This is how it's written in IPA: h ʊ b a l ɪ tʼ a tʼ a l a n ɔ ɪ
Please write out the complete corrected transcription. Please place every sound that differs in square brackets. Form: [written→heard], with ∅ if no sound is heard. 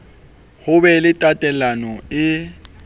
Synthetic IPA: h ʊ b [a→ɛ] l ɪ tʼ a tʼ [a→ɛ] l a n ɔ ɪ